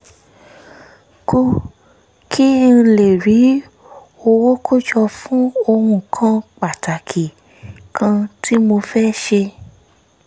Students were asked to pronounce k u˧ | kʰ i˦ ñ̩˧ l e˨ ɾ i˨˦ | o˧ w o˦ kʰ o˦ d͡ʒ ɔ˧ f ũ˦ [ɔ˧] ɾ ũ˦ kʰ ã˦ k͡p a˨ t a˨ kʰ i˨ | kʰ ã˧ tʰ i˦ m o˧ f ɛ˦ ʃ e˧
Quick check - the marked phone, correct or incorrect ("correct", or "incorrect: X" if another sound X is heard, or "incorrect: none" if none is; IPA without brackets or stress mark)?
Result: incorrect: o˧